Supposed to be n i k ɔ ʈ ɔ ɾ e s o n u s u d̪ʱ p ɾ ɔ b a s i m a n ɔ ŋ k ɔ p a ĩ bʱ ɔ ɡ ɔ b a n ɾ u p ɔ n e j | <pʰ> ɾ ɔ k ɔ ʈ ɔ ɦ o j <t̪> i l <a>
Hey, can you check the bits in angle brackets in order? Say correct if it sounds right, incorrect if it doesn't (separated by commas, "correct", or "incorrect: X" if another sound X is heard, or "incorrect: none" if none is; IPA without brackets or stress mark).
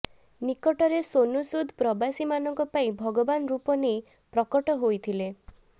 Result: incorrect: p, incorrect: t̪ʰ, incorrect: e